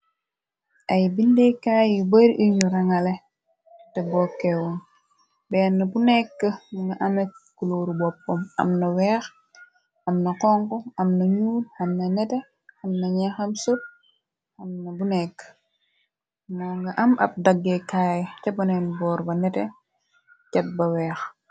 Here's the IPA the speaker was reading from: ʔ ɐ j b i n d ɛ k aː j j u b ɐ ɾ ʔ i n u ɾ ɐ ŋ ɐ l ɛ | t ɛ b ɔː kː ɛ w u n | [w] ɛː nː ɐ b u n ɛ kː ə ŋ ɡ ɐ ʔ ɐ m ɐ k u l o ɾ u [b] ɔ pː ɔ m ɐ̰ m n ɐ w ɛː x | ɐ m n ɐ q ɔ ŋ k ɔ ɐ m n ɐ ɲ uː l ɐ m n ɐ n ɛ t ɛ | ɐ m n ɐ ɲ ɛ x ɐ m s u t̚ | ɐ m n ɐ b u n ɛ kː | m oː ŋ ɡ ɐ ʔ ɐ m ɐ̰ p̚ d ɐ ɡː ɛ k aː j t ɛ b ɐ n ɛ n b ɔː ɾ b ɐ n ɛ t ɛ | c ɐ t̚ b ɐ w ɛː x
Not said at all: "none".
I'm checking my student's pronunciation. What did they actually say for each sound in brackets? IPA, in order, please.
b, b

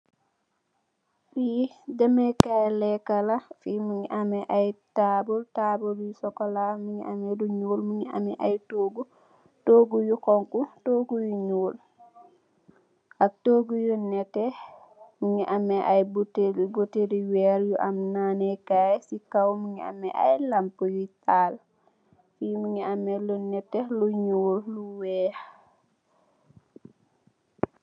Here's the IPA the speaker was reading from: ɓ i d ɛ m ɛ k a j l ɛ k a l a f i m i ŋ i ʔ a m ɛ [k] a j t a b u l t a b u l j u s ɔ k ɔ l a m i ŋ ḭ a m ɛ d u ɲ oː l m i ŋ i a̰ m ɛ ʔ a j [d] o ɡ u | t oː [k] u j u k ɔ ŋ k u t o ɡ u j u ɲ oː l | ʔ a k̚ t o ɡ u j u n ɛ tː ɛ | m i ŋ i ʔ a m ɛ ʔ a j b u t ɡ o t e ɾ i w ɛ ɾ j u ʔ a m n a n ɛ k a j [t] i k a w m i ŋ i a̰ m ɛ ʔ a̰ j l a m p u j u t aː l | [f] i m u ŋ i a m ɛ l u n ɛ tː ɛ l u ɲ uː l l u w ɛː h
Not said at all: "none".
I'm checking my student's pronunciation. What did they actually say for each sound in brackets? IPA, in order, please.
ʔ, t, ɡ, s, f

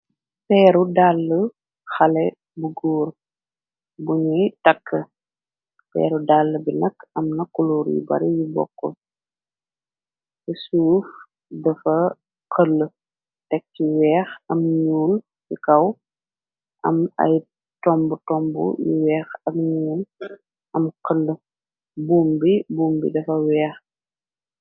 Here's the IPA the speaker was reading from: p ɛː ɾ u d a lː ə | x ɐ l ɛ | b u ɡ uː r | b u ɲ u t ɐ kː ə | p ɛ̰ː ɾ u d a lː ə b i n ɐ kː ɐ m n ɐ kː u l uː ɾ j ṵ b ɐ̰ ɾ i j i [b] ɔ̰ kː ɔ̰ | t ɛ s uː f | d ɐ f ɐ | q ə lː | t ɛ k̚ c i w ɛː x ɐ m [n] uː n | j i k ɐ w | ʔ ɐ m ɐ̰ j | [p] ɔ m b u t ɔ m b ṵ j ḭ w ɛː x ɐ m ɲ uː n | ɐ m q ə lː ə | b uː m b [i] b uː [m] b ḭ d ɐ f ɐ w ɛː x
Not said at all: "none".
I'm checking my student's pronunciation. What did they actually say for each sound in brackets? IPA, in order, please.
b, ɲ, t, i, m

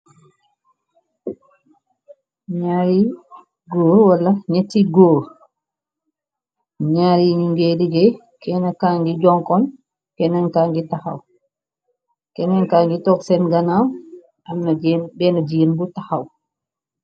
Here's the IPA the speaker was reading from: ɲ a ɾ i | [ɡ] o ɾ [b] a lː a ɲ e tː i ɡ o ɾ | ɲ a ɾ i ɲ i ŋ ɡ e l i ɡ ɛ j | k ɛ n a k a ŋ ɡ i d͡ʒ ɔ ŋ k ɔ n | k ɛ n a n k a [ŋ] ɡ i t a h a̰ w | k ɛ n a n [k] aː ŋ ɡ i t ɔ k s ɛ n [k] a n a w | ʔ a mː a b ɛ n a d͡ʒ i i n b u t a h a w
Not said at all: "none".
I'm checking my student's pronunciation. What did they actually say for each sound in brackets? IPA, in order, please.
ɡ, w, ŋ, k, ɡ

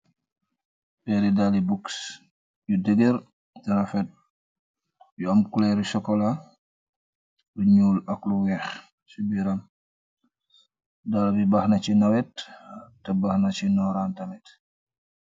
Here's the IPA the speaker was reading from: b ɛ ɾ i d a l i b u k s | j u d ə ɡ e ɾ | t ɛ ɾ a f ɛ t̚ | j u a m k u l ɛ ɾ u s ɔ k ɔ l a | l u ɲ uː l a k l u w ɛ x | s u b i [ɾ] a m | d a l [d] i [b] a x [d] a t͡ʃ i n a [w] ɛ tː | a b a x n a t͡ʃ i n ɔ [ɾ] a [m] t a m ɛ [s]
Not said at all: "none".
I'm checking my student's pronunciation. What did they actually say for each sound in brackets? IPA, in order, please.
ɾ, b, b, n, w, ɾ, n, t

